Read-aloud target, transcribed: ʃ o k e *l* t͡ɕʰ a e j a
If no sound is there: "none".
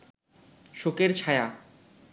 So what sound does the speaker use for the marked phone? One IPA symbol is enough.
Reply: ɾ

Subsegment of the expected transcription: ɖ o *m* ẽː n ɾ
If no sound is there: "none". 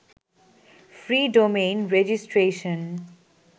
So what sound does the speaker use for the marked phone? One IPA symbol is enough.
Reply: m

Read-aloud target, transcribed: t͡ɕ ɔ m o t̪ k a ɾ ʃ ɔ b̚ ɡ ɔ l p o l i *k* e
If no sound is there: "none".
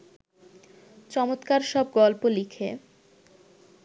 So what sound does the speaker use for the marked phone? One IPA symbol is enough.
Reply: kʰ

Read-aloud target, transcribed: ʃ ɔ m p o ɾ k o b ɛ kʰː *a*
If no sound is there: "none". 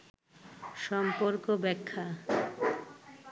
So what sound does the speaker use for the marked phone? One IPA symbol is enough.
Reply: a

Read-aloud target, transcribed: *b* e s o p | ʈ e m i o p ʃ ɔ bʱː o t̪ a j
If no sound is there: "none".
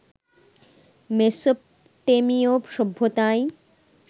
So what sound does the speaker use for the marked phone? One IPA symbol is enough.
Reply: m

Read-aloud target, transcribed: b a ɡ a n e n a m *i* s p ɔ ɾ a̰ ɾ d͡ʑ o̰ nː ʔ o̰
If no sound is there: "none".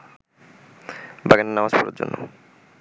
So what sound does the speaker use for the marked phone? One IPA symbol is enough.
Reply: a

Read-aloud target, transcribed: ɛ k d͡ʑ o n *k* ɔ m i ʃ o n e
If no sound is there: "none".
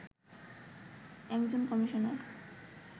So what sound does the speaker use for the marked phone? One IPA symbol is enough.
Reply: k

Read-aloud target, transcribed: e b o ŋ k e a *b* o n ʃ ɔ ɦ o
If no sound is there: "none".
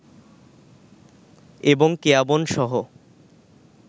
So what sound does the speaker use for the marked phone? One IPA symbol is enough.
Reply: b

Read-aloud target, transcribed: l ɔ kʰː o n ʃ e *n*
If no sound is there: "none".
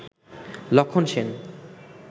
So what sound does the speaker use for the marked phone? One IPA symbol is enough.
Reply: n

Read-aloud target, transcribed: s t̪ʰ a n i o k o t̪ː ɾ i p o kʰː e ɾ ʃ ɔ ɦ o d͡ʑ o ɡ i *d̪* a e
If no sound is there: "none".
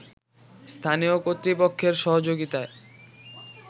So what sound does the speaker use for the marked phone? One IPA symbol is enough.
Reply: t̪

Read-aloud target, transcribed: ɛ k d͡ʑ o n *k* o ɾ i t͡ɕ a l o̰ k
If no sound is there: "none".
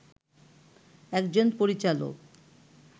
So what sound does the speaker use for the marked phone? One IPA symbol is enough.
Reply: p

